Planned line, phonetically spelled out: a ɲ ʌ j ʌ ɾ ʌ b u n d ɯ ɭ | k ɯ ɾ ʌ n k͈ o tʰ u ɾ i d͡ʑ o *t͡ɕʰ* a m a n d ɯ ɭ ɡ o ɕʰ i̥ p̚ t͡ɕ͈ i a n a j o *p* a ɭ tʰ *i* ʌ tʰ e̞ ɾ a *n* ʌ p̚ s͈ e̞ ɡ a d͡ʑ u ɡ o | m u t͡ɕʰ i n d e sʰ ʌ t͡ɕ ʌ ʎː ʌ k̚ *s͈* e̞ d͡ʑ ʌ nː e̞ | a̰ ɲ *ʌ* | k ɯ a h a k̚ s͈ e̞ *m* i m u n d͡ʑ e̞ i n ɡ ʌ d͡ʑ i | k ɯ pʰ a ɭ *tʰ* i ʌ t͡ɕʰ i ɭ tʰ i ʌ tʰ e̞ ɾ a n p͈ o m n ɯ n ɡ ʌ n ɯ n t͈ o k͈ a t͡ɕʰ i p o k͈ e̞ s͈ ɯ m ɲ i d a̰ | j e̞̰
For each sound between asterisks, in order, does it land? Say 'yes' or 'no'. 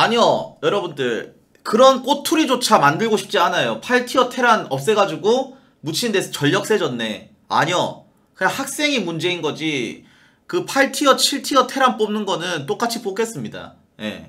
yes, no, yes, yes, yes, yes, no, yes

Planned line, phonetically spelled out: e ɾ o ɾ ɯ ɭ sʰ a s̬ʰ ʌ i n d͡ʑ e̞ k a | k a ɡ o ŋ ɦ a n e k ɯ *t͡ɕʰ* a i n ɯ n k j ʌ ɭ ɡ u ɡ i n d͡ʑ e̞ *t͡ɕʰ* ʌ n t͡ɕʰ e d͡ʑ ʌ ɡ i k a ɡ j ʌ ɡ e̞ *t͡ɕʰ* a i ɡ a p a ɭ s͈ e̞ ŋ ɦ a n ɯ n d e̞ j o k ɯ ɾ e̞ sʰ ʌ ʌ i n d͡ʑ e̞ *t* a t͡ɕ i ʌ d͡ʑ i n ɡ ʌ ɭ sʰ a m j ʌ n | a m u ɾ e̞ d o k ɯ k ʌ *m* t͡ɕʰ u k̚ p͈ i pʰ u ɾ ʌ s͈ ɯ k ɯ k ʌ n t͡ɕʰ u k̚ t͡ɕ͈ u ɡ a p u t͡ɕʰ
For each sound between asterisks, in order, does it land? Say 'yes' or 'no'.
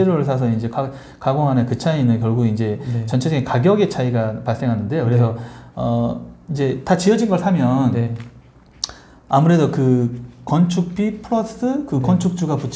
yes, no, yes, yes, no

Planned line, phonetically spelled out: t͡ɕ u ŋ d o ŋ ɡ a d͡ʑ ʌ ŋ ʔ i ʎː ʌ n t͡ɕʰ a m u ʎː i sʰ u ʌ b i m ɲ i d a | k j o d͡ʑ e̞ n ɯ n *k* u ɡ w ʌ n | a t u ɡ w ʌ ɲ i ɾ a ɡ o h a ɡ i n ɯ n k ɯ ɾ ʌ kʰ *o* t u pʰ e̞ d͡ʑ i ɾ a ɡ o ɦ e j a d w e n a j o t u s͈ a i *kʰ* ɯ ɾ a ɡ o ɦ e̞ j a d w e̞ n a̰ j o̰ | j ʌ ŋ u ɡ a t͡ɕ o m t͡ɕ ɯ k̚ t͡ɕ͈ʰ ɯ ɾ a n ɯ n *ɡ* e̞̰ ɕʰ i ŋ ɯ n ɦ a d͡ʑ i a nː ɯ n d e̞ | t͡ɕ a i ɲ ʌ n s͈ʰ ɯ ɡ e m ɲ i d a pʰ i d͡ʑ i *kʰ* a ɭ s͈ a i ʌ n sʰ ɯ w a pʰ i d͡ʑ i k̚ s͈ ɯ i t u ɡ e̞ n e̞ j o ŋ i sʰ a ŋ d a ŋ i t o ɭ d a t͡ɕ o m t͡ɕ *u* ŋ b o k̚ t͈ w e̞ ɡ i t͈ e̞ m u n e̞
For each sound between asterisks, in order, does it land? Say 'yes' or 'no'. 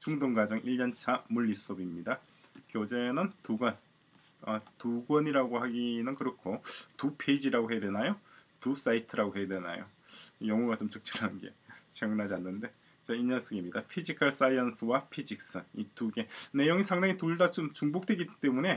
no, yes, no, yes, yes, yes

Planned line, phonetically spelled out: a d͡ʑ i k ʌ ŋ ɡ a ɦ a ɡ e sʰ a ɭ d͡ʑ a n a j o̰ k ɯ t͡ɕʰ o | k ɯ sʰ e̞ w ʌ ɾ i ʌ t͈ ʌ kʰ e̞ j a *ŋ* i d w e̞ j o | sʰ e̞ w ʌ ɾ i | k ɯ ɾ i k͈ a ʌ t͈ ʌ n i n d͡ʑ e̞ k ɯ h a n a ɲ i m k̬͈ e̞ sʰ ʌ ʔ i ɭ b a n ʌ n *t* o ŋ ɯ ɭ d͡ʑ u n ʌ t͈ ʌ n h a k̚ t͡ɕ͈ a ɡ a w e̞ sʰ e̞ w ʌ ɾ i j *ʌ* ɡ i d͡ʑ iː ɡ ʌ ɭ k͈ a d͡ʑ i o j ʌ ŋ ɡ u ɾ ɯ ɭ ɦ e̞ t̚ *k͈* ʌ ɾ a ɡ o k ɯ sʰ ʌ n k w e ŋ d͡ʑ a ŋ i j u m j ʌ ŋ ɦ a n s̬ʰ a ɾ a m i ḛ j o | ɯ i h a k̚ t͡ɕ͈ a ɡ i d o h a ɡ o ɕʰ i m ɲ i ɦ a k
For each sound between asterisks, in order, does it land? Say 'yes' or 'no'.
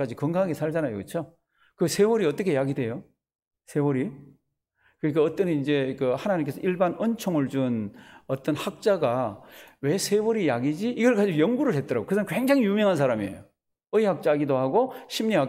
no, no, no, no

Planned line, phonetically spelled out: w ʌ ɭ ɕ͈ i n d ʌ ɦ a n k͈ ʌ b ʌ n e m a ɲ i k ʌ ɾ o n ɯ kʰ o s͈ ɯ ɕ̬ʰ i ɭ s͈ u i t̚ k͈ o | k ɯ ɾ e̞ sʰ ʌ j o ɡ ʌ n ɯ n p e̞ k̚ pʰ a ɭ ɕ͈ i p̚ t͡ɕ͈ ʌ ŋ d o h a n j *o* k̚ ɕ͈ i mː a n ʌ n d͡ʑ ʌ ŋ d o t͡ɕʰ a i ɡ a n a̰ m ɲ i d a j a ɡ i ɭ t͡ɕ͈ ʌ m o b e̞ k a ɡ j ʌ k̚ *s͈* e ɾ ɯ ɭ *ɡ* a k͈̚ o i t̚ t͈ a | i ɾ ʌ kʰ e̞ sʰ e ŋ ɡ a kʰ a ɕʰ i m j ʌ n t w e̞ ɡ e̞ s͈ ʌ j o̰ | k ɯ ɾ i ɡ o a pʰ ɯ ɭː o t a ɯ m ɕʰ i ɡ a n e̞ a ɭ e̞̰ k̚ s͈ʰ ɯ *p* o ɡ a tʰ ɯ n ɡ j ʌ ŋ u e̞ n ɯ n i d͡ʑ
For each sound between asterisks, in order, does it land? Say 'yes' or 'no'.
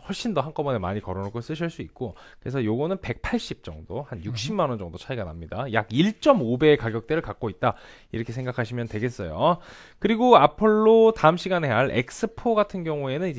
no, no, no, no

